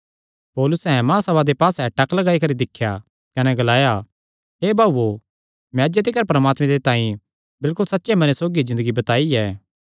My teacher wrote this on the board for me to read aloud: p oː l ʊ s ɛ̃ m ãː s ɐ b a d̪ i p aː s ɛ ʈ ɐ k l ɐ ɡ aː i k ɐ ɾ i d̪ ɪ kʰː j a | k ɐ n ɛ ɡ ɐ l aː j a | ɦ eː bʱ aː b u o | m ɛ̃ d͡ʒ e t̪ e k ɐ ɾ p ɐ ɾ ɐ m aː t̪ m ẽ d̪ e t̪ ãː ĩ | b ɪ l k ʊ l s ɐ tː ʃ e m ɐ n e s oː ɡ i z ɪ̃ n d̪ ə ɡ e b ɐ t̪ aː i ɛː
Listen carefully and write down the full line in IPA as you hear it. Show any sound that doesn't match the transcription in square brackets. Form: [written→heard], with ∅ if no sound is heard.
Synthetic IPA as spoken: p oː l ʊ s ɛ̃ m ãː s ɐ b a d̪ [i→e] p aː s ɛ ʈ ɐ k l ɐ ɡ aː i k ɐ ɾ i d̪ ɪ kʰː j a | k ɐ n ɛ ɡ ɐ l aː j a | ɦ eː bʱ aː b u o | m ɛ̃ d͡ʒ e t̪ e k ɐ ɾ p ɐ ɾ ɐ m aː t̪ m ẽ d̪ e t̪ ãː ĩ | b ɪ l k ʊ l s ɐ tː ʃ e m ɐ n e s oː ɡ i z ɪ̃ n d̪ ə ɡ [e→i] b ɐ t̪ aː i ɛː